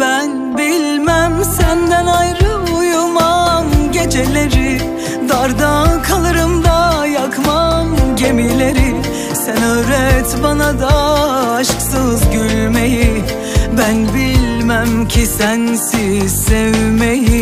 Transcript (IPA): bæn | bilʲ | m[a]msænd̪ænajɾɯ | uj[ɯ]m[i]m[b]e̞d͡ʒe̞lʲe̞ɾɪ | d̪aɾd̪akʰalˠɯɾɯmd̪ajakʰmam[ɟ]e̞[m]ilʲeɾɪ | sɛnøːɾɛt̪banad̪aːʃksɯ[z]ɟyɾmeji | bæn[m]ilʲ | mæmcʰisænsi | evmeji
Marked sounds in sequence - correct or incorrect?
incorrect, incorrect, incorrect, incorrect, correct, correct, correct, incorrect

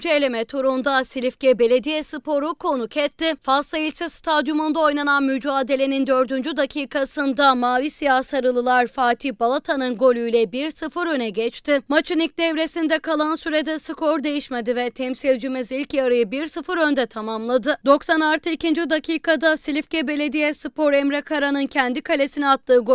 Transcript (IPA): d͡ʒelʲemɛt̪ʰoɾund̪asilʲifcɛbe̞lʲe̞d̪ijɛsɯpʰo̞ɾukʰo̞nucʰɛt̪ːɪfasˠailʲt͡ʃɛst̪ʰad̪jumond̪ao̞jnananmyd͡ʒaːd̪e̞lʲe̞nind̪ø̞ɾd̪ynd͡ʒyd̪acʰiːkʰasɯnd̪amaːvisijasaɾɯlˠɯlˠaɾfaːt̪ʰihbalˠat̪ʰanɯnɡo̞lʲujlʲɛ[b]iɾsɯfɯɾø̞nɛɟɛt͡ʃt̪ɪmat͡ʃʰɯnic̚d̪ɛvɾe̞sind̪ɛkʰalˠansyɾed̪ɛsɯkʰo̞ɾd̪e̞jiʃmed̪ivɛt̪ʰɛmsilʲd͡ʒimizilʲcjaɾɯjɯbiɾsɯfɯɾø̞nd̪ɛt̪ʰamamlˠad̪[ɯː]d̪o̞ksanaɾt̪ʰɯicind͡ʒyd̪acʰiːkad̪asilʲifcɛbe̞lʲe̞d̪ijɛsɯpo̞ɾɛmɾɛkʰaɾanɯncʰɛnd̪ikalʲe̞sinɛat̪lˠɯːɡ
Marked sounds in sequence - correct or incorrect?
correct, incorrect

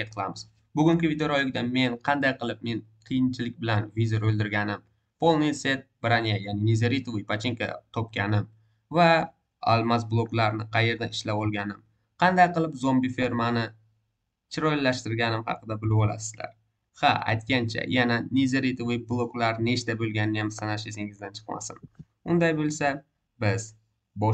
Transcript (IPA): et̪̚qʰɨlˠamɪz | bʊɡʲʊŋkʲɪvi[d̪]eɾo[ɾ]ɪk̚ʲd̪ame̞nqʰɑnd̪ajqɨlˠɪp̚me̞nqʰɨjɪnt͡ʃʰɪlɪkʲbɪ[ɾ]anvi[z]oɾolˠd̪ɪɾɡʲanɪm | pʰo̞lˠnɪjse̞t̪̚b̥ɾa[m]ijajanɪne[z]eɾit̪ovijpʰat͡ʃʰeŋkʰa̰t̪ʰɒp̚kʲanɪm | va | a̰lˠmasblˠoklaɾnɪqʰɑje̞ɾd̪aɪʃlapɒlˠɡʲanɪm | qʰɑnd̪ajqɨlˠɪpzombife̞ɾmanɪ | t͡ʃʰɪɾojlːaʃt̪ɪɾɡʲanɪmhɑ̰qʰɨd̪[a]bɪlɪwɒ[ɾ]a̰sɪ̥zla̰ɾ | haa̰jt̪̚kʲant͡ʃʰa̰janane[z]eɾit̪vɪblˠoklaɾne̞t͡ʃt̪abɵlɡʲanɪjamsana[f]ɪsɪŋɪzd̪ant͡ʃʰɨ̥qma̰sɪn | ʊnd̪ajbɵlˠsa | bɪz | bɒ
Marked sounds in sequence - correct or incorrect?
correct, incorrect, incorrect, correct, incorrect, correct, correct, incorrect, correct, incorrect

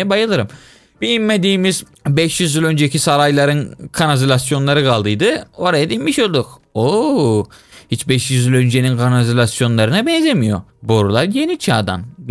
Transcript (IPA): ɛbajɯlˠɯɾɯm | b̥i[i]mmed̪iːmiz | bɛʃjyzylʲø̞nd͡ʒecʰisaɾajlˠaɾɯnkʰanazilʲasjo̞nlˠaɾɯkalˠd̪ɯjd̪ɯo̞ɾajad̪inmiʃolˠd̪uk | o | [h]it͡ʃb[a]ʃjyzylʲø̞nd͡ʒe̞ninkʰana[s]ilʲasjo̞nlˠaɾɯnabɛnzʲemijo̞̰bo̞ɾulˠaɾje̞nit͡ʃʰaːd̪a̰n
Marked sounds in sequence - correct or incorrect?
correct, correct, incorrect, incorrect

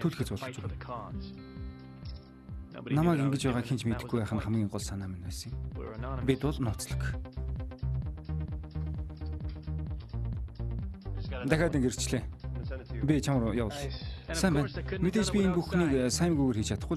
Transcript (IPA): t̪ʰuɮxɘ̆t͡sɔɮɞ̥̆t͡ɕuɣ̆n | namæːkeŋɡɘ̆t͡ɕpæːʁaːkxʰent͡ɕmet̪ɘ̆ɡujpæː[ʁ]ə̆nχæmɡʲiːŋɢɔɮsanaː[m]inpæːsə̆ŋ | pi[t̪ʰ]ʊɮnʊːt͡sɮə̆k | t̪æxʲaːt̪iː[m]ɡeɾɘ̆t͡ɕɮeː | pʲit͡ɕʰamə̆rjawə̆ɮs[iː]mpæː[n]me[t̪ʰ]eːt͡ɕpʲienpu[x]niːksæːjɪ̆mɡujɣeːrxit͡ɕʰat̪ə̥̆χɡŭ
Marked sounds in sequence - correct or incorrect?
incorrect, correct, incorrect, incorrect, incorrect, correct, incorrect, correct

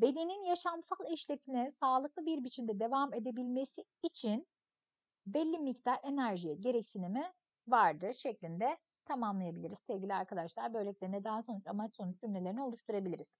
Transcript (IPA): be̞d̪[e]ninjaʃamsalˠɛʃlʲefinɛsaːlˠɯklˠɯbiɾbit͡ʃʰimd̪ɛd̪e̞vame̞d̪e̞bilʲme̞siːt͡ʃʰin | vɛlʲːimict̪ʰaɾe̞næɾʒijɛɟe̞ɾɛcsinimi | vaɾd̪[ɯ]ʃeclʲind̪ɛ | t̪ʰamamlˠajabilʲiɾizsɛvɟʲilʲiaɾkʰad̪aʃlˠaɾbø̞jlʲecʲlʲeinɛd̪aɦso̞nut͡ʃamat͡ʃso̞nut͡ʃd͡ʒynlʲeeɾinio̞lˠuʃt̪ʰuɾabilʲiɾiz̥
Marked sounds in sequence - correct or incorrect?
correct, correct

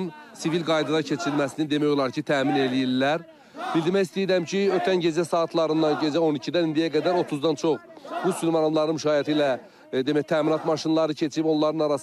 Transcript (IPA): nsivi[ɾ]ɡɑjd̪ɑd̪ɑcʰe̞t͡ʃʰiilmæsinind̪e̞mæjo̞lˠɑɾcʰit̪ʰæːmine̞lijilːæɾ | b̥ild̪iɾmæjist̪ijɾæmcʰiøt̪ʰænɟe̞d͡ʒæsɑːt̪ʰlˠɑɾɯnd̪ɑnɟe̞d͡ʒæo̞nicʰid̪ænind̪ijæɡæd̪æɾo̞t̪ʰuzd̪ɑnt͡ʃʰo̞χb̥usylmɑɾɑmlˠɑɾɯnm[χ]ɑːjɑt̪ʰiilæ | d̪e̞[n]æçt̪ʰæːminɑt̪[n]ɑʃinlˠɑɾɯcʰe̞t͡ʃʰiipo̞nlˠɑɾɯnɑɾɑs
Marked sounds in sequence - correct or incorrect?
incorrect, incorrect, incorrect, incorrect

